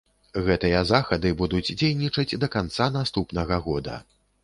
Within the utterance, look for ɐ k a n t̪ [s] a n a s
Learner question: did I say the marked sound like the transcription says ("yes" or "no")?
yes